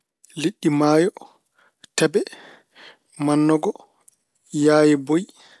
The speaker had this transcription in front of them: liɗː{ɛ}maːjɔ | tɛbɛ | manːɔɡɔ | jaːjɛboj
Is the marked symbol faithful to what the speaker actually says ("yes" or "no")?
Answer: no